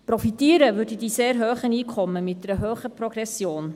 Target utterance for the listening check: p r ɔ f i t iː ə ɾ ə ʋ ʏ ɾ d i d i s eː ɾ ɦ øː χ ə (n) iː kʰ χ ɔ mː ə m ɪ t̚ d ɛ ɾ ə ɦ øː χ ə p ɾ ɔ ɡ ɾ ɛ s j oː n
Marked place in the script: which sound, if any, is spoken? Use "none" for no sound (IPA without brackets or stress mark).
n